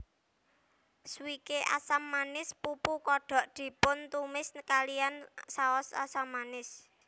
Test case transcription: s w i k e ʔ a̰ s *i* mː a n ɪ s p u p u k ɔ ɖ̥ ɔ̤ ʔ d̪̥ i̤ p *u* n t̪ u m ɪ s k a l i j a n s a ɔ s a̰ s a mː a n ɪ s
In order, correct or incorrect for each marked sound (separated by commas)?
incorrect, incorrect